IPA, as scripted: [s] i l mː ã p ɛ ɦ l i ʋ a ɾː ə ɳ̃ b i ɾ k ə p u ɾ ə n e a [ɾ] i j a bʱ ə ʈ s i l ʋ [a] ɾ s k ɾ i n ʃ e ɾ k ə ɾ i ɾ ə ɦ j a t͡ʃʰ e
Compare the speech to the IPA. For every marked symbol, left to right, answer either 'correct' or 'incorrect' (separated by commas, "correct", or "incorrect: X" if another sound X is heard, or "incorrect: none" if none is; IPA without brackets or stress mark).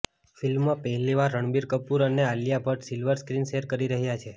incorrect: f, incorrect: l, incorrect: ə